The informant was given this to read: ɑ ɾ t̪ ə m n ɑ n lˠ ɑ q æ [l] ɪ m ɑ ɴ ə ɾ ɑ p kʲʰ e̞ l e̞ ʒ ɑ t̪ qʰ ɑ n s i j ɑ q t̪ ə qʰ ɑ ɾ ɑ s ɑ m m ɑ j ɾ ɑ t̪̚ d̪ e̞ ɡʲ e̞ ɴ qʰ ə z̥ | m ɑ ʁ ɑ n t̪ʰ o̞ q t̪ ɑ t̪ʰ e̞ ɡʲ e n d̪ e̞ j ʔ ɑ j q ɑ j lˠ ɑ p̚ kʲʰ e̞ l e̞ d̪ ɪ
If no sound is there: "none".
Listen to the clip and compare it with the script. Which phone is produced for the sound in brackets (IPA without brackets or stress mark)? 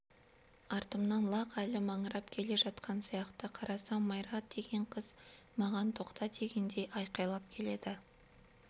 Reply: l